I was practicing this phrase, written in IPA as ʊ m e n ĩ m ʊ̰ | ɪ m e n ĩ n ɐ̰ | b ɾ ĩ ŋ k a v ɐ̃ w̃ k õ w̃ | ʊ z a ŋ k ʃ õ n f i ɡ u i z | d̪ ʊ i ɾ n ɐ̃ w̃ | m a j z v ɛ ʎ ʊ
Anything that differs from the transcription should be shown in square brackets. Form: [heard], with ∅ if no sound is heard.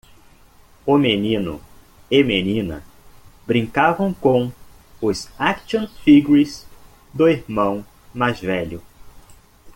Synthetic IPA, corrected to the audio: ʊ m e n ĩ [n] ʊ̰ | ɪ m e n ĩ n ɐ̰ | b ɾ ĩ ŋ k a v ɐ̃ w̃ k õ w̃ | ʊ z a [∅] k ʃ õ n f i ɡ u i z | d̪ ʊ i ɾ [m] ɐ̃ w̃ | m a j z v ɛ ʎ ʊ